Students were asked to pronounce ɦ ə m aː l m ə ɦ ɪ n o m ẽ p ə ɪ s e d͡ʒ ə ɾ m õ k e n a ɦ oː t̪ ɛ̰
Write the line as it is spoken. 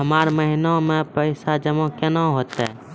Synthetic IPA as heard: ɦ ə m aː ɾ m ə ɦ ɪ n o m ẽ p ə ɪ s a d͡ʒ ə m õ k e n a ɦ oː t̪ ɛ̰

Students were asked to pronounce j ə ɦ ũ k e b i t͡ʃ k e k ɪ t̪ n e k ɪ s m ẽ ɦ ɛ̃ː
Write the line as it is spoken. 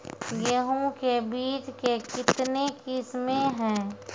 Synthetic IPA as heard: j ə ɦ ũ k e b iː t͡ʃ k e k ɪ t̪ n e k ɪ s m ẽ ɦ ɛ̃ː

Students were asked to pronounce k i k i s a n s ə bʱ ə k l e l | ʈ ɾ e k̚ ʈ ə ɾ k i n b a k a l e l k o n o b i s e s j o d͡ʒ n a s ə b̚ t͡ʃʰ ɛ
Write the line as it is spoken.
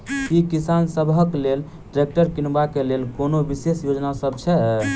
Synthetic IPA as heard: k i k i s a n s ə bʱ ə k l e l | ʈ ɾ e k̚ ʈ ə ɾ k i n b a k e l e l k o n o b i s e s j o d͡ʒ n a s ə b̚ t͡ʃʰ ɛ

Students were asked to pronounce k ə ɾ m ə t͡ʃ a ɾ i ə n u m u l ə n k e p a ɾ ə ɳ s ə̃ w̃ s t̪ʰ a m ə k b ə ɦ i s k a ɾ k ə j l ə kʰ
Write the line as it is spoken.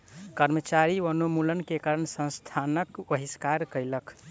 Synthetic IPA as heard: k ə ɾ m ə t͡ʃ a ɾ i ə n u m u l ə n k e k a ɾ ə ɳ s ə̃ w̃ s t̪ʰ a n ə k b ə ɦ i s k a ɾ k ə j l ə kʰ

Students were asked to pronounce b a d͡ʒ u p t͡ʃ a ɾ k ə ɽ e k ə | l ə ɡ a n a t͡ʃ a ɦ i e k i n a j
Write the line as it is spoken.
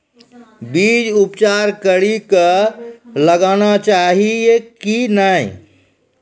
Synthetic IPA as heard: b i d͡ʒ u p t͡ʃ a ɾ k ə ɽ i k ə | l ə ɡ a n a t͡ʃ a ɦ i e k i n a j

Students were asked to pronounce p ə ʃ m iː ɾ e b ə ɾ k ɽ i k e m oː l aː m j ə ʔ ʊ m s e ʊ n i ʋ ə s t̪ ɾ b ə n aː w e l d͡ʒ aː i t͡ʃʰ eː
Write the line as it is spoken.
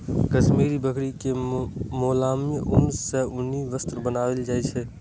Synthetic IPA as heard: k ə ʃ m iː ɾ i b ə k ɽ i k e m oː l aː m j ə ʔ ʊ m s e ʊ n i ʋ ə s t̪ ɾ b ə n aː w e l d͡ʒ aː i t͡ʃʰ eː

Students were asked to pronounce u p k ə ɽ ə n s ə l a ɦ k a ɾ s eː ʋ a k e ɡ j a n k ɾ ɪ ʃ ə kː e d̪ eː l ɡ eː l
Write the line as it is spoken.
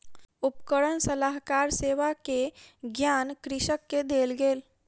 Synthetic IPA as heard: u p k ə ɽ ə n s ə l a ɦ k a ɾ s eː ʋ a k e ɡ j a n k ɾ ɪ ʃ ə kː e d̪ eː l ɡ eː l

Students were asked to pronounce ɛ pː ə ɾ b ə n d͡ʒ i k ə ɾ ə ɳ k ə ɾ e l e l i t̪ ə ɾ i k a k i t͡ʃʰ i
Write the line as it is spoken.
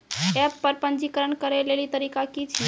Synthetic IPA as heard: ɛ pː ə ɾ p ə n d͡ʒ i k ə ɾ ə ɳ k ə ɾ e l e l i t̪ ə ɾ i k a k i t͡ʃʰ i

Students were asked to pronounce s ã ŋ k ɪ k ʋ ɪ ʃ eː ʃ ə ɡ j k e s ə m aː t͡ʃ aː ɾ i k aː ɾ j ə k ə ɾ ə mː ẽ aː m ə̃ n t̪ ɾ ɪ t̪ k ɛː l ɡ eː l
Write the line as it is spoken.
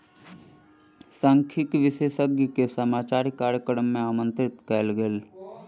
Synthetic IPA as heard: s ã ŋ kʰ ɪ k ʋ ɪ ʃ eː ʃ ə ɡ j k e s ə m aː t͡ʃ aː ɾ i k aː ɾ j ə k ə ɾ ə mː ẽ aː m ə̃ n t̪ ɾ ɪ t̪ k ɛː l ɡ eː l

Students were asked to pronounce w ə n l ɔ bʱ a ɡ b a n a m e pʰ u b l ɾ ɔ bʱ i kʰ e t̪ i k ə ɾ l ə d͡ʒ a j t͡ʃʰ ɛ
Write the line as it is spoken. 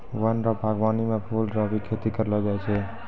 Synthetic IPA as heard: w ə n ɾ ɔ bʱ a ɡ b a n i m e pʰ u l ɾ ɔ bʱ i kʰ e t̪ i k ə ɾ l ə d͡ʒ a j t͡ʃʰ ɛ

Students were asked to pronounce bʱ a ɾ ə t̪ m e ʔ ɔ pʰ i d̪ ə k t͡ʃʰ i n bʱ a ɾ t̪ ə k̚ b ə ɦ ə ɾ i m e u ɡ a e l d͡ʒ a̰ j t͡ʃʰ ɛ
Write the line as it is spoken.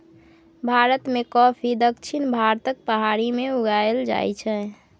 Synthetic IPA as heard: bʱ a ɾ ə t̪ m e k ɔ pʰ i d̪ ə k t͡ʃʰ i n bʱ a ɾ t̪ ə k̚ p ə ɦ a ɾ i m e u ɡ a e l d͡ʒ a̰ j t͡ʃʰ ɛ

